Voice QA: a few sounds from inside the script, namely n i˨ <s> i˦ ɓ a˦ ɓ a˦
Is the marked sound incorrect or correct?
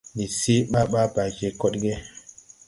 correct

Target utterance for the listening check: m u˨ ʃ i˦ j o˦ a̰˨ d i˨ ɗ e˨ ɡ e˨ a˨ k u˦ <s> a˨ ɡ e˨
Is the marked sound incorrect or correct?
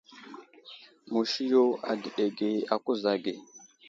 incorrect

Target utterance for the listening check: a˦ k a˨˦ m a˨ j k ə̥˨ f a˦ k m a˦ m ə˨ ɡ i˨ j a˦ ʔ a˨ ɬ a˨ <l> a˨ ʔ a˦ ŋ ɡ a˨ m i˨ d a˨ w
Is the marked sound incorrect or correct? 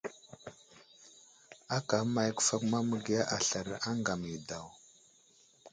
incorrect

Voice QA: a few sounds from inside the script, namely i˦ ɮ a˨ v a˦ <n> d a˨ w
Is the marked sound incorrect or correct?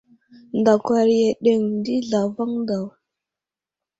incorrect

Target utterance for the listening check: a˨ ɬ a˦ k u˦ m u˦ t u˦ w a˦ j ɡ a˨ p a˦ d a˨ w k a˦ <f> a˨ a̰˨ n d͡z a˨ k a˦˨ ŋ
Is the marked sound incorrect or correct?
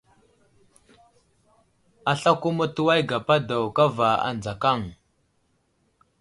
incorrect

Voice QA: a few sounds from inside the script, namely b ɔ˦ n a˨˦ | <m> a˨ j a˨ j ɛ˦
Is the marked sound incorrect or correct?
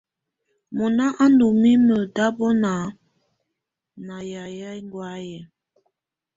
incorrect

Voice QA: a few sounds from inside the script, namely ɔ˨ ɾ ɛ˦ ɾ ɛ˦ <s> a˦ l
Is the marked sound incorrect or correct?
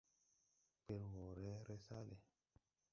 correct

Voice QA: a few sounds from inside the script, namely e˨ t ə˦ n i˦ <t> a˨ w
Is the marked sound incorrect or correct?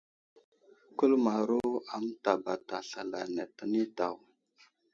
correct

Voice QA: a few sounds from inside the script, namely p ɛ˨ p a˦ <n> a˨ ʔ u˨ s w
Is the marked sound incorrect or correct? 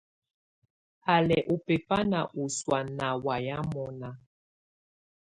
correct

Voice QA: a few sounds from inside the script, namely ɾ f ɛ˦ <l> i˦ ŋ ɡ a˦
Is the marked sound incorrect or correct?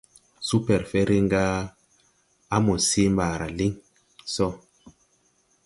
incorrect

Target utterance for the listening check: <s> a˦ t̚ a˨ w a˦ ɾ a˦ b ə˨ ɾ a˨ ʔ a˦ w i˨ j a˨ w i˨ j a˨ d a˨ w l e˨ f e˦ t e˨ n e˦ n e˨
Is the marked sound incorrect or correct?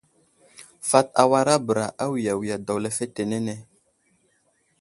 incorrect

